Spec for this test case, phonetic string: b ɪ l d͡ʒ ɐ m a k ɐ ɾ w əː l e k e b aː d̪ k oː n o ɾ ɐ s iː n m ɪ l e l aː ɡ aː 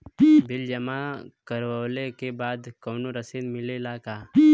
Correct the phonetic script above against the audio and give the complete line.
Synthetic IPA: b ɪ l d͡ʒ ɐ m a k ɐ ɾ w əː l e k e b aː d̪ k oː n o ɾ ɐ s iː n m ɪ l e l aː k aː